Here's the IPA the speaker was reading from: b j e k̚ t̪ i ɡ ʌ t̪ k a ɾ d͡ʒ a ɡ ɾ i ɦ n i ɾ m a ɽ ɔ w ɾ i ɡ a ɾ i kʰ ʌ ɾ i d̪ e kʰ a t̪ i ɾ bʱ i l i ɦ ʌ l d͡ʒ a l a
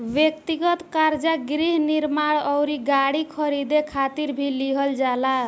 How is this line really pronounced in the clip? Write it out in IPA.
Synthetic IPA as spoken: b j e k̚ t̪ i ɡ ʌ t̪ k a ɾ d͡ʒ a ɡ ɾ i ɦ n i ɾ m a ɽ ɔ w ɾ i ɡ a ɽ i kʰ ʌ ɾ i d̪ e kʰ a t̪ i ɾ bʱ i l i ɦ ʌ l d͡ʒ a l a